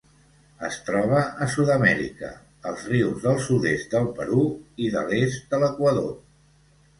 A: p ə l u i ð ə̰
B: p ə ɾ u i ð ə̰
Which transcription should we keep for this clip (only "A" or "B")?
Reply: B